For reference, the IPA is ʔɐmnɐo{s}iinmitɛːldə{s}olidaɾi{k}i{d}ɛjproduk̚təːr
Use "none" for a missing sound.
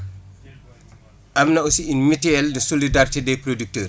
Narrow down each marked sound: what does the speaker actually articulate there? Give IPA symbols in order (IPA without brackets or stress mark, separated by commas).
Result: s, s, t, d